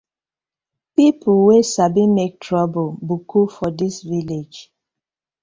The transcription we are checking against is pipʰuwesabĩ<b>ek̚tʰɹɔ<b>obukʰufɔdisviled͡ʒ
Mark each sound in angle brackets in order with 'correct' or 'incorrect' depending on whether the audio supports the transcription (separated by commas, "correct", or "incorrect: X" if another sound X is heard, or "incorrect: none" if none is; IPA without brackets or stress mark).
incorrect: m, correct